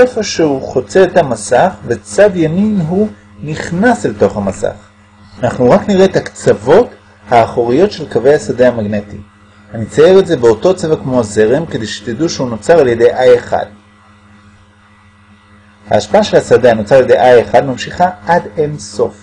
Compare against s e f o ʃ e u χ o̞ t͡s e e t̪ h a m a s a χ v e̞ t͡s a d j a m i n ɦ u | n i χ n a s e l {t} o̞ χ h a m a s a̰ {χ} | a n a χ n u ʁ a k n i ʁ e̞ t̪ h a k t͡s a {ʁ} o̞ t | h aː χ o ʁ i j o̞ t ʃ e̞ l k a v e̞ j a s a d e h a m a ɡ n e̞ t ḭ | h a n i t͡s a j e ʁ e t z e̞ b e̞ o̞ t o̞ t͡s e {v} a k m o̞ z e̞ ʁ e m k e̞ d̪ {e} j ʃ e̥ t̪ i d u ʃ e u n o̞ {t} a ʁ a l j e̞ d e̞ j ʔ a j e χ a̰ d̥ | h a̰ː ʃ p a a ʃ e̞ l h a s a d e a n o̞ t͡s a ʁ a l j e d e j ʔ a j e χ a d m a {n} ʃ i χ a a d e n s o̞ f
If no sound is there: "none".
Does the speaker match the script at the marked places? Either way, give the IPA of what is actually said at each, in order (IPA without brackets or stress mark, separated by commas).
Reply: t, χ, v, v, e, t͡s, m